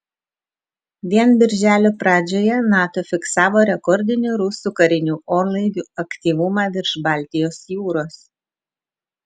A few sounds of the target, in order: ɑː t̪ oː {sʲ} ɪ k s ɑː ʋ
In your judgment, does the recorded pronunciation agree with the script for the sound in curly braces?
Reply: no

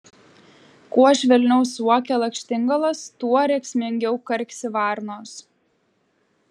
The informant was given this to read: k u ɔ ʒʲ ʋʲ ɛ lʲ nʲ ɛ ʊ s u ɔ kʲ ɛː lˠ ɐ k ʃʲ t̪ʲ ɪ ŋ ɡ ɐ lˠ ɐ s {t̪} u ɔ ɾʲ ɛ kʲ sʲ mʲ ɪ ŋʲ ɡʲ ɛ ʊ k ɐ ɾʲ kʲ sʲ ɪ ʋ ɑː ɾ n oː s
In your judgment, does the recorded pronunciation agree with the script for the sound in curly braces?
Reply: yes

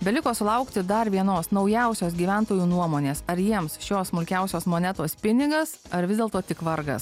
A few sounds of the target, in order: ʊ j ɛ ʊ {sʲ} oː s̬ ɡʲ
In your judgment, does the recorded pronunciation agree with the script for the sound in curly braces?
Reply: yes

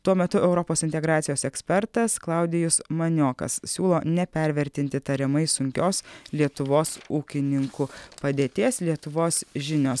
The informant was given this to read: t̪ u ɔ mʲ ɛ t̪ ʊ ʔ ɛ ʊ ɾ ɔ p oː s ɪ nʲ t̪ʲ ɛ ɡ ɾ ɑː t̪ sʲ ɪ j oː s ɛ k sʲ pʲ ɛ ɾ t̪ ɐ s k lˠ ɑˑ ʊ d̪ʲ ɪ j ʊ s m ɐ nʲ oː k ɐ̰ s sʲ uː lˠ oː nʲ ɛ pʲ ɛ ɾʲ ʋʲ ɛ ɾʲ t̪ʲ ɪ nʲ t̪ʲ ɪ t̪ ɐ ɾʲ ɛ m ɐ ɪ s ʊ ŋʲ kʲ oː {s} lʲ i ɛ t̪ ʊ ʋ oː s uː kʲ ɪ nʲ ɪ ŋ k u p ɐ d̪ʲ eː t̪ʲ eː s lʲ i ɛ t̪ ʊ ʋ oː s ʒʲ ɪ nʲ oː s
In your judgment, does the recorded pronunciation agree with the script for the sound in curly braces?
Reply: yes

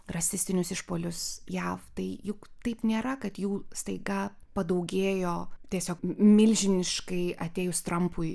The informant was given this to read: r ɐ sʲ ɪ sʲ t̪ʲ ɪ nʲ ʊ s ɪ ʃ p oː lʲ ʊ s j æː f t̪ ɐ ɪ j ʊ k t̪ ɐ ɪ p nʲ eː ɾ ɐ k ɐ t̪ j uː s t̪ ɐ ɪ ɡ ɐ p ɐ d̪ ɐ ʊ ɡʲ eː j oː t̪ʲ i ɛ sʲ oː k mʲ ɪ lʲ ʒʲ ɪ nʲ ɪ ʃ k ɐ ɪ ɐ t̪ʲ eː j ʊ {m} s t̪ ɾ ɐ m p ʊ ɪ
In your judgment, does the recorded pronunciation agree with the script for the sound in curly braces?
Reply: no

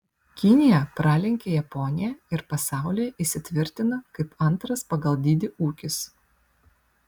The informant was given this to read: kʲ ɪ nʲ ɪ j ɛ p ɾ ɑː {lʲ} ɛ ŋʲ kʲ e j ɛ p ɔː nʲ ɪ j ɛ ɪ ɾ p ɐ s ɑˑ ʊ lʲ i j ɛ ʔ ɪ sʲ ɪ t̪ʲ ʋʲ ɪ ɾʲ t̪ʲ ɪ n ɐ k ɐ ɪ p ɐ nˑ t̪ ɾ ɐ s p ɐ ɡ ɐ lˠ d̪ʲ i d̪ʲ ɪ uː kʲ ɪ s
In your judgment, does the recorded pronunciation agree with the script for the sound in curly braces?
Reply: yes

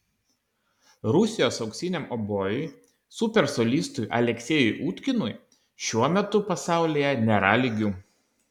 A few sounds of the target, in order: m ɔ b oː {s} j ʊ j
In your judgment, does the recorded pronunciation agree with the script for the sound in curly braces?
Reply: no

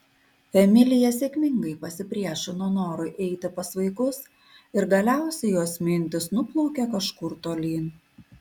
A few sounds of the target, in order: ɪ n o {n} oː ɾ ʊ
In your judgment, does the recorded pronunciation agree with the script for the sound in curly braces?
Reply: yes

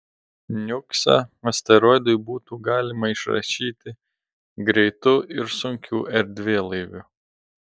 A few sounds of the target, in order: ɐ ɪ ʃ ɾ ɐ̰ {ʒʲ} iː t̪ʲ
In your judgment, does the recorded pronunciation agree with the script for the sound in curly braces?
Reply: no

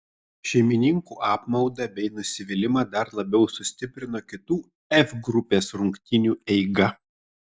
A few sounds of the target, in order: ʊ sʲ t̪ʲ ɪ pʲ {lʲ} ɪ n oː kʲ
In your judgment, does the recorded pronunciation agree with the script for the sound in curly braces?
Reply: no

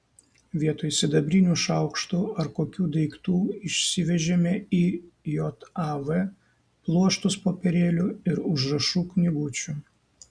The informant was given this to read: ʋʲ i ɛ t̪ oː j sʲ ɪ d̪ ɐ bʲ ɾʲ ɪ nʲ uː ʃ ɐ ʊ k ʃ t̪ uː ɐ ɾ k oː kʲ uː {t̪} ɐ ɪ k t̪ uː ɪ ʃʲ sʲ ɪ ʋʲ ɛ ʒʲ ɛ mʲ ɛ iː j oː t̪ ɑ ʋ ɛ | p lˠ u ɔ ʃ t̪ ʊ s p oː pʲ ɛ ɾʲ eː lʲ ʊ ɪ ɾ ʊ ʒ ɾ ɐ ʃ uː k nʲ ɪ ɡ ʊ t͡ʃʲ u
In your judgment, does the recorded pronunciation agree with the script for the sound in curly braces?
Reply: no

